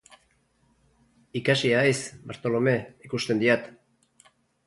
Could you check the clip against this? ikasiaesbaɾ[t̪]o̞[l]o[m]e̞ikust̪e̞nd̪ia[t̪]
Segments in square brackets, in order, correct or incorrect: correct, correct, correct, correct

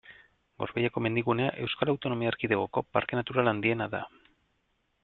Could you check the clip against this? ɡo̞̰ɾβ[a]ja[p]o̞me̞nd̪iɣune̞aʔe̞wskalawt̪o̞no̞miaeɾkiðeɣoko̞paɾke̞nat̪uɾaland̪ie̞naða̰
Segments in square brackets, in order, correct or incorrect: incorrect, incorrect

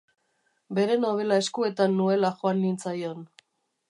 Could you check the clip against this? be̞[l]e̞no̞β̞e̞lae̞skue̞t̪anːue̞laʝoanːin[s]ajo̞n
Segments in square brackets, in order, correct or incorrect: incorrect, incorrect

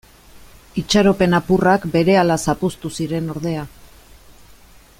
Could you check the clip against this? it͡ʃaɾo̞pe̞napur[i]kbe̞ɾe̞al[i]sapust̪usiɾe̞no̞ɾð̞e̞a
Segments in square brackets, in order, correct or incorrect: incorrect, incorrect

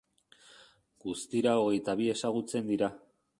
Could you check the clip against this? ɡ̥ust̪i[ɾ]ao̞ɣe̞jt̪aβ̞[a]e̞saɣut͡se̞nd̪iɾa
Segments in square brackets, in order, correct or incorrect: correct, incorrect

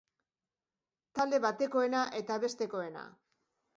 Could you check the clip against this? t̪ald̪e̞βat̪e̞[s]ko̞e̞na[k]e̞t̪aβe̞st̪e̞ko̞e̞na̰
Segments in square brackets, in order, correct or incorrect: incorrect, incorrect

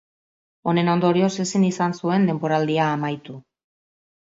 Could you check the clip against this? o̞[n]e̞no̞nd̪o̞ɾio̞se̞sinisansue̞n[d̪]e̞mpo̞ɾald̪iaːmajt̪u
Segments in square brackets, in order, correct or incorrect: correct, correct

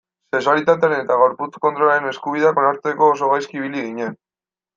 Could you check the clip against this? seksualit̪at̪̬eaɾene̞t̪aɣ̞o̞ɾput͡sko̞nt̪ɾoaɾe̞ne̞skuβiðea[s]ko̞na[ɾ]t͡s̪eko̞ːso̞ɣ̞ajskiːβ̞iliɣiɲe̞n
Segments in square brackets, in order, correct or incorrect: incorrect, correct

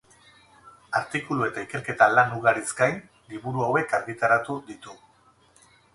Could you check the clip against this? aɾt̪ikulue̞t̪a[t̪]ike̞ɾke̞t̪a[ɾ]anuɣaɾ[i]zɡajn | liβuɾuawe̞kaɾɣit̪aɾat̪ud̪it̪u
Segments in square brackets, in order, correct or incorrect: incorrect, incorrect, correct

